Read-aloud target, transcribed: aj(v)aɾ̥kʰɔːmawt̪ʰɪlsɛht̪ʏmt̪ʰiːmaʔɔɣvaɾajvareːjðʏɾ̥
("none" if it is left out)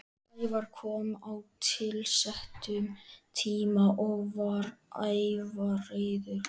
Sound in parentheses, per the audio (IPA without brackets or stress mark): v